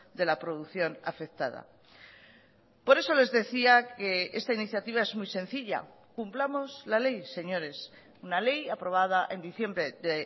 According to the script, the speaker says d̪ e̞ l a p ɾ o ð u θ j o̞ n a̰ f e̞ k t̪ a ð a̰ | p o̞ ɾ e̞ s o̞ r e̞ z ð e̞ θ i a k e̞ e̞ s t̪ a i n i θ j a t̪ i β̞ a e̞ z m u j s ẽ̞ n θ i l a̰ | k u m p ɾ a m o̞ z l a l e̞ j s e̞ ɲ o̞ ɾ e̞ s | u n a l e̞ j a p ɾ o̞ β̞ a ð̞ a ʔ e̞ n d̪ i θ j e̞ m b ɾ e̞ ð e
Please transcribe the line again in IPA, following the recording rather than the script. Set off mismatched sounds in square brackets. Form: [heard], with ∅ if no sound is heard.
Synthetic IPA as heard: d̪ e̞ l a p ɾ o ð u θ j o̞ n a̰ f e̞ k t̪ a ð a̰ | p o̞ ɾ e̞ s o̞ [l] e̞ z ð e̞ θ i a k e̞ e̞ s t̪ a i n i θ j a t̪ i β̞ a e̞ z m u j s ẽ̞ n θ i [ʎ] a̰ | k u m p [l] a m o̞ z l a l e̞ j s e̞ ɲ o̞ ɾ e̞ s | u n a l e̞ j a p ɾ o̞ β̞ a ð̞ a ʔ e̞ n d̪ i θ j e̞ m b ɾ e̞ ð e